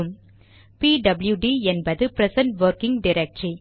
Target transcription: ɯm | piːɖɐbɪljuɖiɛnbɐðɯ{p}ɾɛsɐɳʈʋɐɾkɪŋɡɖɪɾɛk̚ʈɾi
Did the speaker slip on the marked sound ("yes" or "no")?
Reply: no